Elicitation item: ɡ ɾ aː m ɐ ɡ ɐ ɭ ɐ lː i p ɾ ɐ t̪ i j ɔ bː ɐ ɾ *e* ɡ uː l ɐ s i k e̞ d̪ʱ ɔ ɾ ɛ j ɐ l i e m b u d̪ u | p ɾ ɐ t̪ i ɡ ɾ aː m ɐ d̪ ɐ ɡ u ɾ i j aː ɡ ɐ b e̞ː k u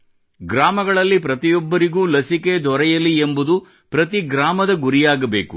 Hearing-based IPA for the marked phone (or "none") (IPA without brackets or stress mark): i